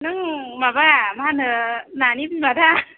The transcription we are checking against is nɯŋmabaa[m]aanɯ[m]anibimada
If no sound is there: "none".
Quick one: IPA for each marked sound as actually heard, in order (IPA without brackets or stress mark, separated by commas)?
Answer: m, n